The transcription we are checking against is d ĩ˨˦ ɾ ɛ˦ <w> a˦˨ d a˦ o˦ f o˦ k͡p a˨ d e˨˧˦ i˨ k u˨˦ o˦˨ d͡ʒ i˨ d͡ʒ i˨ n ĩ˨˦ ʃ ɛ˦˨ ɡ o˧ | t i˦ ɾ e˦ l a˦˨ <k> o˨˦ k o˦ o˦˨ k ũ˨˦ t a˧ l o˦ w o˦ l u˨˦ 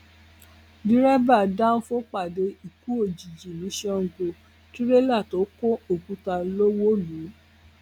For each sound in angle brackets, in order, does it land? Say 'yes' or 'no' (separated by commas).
no, no